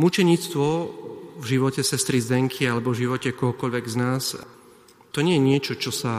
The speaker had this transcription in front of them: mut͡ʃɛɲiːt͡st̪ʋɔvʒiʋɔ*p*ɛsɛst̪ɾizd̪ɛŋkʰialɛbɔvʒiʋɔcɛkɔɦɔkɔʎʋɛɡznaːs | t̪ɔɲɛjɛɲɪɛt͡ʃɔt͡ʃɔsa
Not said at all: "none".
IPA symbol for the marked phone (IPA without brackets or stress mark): c